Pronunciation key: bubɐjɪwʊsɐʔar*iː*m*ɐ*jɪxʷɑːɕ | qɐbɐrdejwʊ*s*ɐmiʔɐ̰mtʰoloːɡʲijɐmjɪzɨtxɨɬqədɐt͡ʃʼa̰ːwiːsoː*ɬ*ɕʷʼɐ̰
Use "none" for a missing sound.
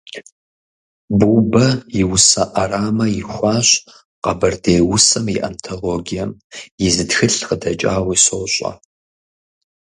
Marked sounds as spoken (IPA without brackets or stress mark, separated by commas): aː, ɐ, s, none